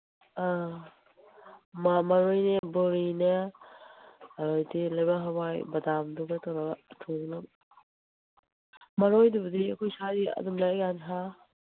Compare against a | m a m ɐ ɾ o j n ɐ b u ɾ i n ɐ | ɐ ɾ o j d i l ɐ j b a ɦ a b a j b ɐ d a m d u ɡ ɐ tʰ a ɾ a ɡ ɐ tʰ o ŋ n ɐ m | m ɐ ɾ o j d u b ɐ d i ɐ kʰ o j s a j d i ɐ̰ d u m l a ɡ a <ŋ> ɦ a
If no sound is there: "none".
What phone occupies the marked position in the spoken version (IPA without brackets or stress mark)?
n